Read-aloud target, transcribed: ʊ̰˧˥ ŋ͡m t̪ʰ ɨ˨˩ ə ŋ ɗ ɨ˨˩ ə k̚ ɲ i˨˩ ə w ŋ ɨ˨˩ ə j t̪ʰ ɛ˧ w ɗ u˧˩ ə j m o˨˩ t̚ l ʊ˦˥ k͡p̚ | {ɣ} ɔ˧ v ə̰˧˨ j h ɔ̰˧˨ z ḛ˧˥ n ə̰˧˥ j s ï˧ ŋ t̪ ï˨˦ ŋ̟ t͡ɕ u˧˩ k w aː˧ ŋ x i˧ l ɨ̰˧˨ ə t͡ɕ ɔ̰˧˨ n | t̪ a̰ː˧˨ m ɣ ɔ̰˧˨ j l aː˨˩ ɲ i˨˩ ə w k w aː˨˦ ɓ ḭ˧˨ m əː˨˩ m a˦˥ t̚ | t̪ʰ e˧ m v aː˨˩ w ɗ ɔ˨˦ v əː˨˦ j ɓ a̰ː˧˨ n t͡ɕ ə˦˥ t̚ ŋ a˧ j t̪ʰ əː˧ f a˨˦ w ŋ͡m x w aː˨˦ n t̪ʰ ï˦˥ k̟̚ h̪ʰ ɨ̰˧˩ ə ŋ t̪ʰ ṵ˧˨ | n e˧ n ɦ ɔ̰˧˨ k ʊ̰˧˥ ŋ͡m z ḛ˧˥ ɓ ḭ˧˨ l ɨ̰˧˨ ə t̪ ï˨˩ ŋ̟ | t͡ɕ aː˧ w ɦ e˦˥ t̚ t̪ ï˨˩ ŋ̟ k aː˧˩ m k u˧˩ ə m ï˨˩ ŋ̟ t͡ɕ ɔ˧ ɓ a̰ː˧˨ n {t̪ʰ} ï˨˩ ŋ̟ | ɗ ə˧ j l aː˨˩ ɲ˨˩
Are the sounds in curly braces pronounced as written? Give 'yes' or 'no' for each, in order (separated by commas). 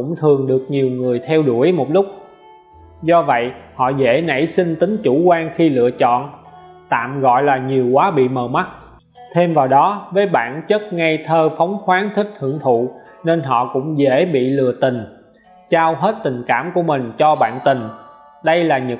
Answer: no, no